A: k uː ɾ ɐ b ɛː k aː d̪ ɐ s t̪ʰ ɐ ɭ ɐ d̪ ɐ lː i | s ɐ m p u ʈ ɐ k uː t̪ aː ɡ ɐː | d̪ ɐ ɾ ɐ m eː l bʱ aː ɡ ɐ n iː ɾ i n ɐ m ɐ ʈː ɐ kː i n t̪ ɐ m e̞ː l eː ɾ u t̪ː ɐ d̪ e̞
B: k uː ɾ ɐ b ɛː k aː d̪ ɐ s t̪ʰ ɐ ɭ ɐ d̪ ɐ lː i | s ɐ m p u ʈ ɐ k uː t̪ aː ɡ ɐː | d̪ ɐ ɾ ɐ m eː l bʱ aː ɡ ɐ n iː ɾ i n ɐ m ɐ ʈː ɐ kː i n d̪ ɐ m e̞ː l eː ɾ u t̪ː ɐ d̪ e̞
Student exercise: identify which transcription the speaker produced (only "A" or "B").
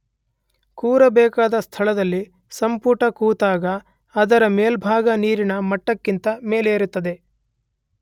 A